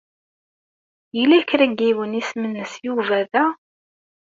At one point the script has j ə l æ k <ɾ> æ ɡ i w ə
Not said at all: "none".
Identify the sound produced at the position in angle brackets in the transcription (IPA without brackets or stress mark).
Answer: ɾ